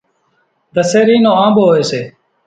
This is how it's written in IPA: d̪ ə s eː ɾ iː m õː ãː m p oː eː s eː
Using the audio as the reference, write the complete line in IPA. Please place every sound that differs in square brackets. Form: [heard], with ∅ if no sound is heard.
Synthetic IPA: d̪ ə s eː ɾ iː [n] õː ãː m [b] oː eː s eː